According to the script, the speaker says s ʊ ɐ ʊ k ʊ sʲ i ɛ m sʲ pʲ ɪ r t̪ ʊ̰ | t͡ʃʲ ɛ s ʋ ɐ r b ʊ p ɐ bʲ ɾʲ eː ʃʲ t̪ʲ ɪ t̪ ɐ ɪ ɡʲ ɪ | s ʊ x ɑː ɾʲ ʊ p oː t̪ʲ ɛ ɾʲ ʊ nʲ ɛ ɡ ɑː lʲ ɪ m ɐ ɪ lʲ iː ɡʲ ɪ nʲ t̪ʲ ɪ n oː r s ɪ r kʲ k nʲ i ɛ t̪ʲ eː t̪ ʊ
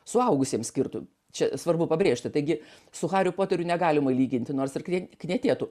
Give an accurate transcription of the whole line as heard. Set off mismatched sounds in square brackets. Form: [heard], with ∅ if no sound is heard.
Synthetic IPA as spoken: s ʊ ɐ ʊ [ɡ] ʊ sʲ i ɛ m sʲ [kʲ] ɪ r t̪ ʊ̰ | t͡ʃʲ ɛ s ʋ ɐ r b ʊ p ɐ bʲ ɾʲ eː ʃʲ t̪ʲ ɪ t̪ ɐ ɪ ɡʲ ɪ | s ʊ x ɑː ɾʲ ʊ p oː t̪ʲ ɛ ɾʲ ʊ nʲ ɛ ɡ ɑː lʲ ɪ m ɐ ɪ lʲ iː ɡʲ ɪ nʲ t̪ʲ ɪ n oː r s ɪ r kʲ k nʲ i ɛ t̪ʲ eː t̪ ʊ